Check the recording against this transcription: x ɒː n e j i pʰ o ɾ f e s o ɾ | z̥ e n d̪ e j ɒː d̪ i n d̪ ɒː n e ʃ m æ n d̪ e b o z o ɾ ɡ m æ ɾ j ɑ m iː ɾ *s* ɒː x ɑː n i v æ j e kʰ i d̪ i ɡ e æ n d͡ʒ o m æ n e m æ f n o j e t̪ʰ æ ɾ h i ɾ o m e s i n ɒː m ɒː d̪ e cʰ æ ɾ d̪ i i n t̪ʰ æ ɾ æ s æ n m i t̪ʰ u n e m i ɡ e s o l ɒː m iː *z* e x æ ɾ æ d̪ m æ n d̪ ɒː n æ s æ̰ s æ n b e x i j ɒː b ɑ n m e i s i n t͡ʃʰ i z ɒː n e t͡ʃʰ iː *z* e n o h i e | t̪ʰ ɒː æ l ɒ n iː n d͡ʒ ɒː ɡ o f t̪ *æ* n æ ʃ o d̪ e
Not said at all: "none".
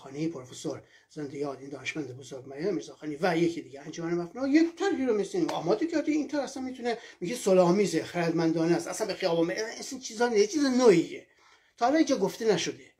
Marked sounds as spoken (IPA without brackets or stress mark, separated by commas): z, z, z, e